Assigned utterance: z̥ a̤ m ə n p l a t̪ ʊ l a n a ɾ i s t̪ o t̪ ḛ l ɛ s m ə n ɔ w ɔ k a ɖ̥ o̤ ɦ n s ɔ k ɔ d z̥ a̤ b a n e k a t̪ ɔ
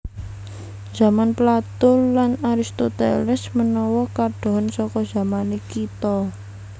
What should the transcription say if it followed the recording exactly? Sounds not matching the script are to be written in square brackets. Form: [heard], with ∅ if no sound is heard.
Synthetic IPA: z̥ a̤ m [a] n p l a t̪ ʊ l a n a ɾ i s t̪ o t̪ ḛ l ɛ s m ə n ɔ w ɔ k a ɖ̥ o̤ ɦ n s ɔ k ɔ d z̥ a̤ [m] a n e k [i] t̪ ɔ